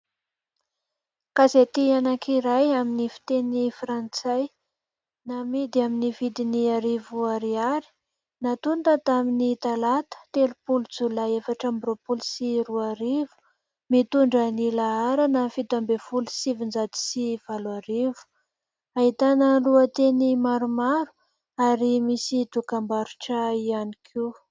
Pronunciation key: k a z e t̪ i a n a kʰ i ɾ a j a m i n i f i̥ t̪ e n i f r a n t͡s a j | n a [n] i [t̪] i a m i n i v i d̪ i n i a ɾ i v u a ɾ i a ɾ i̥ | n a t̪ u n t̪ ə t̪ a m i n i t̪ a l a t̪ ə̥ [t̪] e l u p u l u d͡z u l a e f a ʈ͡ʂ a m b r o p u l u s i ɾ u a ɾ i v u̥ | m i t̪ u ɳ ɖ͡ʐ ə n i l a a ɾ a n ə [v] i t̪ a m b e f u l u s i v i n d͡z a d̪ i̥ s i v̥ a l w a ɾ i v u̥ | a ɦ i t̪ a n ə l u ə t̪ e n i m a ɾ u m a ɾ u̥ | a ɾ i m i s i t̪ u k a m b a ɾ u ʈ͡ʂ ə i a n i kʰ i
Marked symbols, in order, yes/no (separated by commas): no, no, yes, no